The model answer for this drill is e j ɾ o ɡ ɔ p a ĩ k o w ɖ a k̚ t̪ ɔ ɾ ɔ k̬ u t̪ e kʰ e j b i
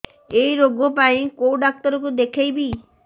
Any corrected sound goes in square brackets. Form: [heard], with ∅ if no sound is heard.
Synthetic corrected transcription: e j ɾ o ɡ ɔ p a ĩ k o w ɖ a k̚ t̪ ɔ ɾ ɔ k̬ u [d̪] e kʰ e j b i